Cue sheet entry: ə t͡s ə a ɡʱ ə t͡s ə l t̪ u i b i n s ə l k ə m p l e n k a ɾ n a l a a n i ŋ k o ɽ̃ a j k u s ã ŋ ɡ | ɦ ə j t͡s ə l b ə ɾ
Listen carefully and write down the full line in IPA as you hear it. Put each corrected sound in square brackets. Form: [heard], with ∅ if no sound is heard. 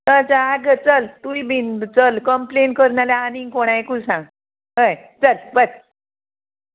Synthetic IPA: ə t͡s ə a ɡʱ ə t͡s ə l t̪ u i b i n [t͡s] ə l k ə m p l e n k [ə] ɾ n a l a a n i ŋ k o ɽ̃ a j k u s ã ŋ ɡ | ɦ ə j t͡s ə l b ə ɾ